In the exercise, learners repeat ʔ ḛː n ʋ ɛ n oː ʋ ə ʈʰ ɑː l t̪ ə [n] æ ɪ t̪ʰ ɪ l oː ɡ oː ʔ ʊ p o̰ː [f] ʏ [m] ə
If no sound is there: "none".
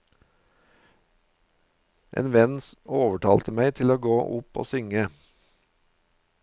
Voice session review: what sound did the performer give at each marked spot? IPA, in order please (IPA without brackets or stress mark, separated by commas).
m, s, ŋ